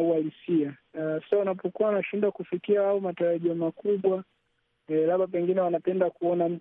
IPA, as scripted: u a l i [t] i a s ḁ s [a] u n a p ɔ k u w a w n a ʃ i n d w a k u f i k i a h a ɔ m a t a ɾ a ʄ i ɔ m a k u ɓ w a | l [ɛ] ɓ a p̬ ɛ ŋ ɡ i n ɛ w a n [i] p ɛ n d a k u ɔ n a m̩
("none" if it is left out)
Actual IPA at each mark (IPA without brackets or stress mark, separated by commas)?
s, a, a, a